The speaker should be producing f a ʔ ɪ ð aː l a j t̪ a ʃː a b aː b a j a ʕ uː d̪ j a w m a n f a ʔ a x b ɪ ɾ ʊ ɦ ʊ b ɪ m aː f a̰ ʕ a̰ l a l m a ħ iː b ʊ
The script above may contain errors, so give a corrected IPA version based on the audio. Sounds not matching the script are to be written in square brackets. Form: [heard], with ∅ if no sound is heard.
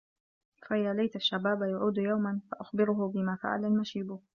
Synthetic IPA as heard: f a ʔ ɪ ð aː l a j t̪ a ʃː a b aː b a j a ʕ uː d̪ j a w m a n f a ʔ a x b ɪ ɾ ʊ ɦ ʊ b ɪ m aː f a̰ ʕ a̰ l a l m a [ʃ] iː b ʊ